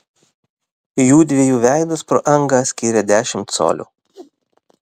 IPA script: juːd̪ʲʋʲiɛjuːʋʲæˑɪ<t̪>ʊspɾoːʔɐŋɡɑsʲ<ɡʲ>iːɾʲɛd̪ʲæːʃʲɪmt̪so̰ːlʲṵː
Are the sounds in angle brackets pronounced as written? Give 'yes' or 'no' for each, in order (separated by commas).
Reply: no, no